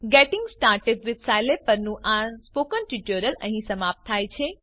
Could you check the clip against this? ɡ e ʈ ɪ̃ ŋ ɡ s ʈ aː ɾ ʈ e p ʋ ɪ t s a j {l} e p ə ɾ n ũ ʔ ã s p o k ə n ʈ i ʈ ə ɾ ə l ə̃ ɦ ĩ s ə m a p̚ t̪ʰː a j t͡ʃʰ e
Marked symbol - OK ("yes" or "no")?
yes